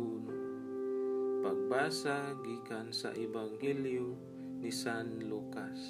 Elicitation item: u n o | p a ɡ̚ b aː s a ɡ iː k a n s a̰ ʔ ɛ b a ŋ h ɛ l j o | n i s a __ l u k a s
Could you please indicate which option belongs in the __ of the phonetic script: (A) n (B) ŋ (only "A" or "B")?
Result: A